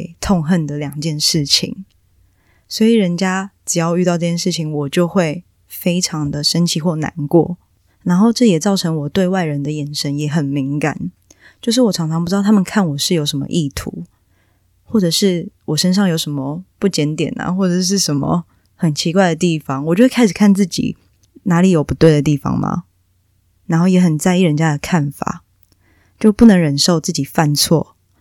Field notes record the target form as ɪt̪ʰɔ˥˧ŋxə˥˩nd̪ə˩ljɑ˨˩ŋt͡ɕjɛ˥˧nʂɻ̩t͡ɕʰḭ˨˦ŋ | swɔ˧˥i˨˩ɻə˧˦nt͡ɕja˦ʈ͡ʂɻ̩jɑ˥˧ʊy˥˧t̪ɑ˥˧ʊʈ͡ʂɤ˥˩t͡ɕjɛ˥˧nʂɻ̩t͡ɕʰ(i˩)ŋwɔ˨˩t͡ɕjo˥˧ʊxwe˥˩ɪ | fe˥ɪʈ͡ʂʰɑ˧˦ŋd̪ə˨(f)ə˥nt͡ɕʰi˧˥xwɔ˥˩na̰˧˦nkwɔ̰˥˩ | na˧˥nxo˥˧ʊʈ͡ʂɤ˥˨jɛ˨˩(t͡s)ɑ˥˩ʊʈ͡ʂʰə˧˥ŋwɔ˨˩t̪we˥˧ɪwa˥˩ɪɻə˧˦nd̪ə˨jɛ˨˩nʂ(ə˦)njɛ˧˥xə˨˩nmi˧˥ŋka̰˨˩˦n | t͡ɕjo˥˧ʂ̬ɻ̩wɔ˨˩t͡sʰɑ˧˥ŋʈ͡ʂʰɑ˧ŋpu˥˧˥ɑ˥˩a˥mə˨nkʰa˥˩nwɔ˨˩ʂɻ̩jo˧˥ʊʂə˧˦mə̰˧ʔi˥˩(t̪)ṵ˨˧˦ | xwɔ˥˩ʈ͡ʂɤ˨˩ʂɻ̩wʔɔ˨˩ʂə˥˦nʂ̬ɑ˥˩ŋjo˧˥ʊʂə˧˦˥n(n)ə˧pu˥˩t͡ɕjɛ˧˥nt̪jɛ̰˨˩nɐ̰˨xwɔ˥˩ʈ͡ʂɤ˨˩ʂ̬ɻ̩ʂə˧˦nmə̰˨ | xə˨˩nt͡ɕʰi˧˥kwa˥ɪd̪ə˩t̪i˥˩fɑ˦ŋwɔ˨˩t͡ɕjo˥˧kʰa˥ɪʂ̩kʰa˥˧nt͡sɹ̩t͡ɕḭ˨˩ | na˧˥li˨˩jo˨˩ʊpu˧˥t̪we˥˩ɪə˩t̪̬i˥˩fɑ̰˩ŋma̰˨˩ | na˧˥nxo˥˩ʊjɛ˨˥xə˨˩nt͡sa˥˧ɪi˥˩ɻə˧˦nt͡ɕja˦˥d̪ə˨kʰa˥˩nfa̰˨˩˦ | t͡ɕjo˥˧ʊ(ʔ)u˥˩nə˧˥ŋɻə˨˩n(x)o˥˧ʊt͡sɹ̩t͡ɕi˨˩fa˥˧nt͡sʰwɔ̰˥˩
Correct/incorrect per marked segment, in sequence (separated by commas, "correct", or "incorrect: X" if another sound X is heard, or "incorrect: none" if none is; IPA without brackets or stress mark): incorrect: i˨˦, incorrect: ʂ, correct, correct, incorrect: t̪ʰ, incorrect: m, incorrect: p, incorrect: ʂ